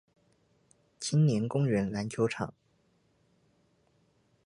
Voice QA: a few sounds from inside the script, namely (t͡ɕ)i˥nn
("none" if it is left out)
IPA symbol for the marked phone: t͡ɕʰ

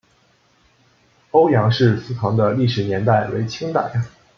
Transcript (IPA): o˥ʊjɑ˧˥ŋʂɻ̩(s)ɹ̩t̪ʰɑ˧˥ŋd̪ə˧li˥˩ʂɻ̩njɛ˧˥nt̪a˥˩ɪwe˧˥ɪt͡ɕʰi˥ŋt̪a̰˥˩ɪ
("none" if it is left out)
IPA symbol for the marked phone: s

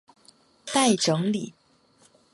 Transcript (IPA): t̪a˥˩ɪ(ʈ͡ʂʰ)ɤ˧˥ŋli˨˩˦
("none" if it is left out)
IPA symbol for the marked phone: ʈ͡ʂ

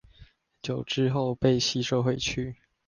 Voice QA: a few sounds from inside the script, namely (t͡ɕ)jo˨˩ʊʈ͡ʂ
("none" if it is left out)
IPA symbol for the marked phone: t͡ɕ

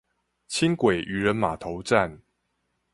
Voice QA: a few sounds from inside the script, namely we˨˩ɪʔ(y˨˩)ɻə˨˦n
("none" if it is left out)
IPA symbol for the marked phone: y˨˩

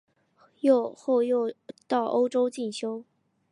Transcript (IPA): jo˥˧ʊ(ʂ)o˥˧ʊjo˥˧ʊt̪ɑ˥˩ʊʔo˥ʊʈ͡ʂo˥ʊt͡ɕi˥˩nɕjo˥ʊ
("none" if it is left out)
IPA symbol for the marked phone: x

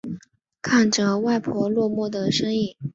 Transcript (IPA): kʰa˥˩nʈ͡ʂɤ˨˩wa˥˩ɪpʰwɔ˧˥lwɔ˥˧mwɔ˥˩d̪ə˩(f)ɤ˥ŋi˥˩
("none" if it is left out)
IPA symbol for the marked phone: ʂ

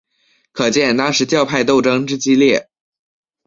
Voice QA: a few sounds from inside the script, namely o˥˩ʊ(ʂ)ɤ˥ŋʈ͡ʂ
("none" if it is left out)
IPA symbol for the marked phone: ʈ͡ʂ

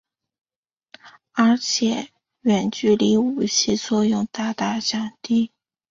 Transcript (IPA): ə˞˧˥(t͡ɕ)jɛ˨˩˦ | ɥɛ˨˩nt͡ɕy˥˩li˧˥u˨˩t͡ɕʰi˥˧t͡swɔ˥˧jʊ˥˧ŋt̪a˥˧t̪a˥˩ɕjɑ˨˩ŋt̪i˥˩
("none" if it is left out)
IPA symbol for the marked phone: t͡ɕʰ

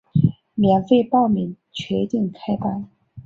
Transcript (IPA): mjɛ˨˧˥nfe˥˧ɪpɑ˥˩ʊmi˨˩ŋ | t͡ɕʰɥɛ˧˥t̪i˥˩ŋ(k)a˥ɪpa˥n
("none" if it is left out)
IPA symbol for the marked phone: kʰ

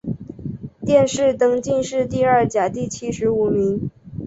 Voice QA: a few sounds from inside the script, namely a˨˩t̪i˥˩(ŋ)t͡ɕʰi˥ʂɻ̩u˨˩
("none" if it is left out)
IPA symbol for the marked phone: none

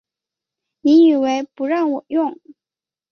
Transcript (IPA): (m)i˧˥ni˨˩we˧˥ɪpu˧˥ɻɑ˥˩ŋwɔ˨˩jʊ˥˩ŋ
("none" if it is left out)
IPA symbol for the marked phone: n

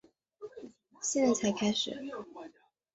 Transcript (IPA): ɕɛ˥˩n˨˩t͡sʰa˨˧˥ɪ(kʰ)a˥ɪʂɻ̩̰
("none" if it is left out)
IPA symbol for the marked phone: kʰ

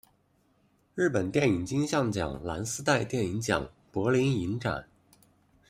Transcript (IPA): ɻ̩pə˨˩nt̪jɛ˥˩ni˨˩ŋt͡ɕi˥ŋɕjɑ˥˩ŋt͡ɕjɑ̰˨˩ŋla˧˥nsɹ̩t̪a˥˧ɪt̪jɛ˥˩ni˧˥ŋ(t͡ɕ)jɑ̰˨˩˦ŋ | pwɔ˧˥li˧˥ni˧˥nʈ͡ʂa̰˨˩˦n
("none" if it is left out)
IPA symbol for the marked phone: t͡ɕ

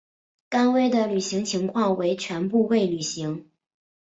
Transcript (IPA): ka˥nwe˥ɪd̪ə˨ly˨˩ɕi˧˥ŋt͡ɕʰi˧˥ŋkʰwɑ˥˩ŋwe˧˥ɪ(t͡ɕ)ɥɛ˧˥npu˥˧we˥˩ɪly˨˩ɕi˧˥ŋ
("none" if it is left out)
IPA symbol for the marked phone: t͡ɕʰ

